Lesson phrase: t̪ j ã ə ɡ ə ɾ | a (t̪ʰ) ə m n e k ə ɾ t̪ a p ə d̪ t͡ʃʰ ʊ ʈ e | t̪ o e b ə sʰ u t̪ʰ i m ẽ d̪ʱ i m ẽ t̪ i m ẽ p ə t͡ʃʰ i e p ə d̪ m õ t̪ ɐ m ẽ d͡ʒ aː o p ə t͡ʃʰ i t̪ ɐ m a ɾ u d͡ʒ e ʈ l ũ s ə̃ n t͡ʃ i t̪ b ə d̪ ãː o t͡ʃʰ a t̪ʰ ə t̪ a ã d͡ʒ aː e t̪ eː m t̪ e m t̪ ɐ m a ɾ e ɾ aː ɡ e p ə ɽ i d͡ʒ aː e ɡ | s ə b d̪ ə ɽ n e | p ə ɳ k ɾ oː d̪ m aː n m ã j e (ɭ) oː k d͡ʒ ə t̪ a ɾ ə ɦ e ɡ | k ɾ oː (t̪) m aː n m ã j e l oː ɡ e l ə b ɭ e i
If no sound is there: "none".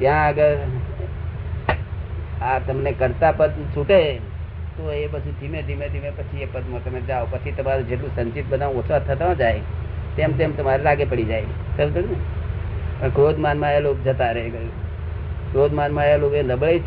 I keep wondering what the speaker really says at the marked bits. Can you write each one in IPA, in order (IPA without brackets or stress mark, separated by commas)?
t̪, l, d̪